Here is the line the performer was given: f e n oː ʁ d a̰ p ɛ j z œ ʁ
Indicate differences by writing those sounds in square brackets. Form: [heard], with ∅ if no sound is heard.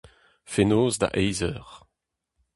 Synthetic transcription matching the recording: f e n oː [z] d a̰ [ʔ] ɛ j z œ ʁ